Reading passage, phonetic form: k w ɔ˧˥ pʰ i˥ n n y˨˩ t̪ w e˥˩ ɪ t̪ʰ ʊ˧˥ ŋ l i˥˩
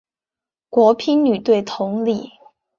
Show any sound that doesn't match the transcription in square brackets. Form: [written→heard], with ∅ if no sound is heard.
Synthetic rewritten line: k w ɔ˧˥ pʰ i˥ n n y˨˩ t̪ w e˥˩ ɪ t̪ʰ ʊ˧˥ ŋ l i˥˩